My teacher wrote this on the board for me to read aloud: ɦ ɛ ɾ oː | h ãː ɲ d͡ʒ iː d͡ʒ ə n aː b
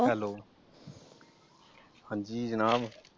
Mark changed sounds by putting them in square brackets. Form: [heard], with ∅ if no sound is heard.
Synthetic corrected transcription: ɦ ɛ [l] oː | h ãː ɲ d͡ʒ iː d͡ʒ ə n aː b